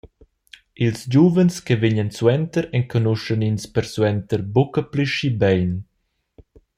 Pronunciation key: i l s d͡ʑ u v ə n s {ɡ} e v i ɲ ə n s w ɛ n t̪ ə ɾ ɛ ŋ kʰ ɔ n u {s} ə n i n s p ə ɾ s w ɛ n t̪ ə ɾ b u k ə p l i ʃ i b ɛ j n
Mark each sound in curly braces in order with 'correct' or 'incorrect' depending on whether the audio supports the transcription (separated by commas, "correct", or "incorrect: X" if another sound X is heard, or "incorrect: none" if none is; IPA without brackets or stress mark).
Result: incorrect: k, incorrect: ʃ